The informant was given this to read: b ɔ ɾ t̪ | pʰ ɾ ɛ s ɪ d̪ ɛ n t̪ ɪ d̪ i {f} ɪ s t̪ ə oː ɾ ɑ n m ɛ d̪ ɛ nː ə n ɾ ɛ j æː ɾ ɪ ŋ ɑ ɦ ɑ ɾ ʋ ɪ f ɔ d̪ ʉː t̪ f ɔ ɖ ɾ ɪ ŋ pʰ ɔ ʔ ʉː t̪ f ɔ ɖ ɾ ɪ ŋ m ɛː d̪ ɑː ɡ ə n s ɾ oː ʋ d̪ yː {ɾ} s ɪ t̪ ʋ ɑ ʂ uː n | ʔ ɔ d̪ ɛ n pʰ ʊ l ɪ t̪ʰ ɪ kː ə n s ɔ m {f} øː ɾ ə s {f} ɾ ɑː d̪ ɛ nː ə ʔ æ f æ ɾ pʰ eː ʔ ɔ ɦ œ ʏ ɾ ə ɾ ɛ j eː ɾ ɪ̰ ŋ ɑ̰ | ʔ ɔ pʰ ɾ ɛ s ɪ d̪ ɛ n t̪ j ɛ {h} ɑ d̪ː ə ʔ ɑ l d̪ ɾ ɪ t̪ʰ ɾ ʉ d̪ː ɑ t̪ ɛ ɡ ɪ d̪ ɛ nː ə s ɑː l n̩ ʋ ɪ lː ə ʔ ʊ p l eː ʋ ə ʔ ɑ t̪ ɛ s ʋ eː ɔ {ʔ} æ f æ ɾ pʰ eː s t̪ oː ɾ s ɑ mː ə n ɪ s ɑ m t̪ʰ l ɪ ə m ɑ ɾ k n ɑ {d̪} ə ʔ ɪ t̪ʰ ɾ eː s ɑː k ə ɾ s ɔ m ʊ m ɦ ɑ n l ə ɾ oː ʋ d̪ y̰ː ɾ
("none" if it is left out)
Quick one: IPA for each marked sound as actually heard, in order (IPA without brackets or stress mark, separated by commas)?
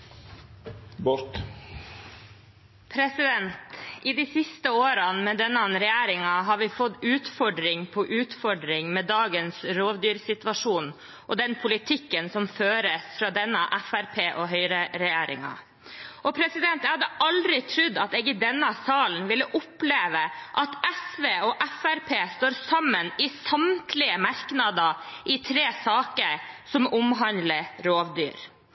s, ɾ, f, f, h, ʔ, d̪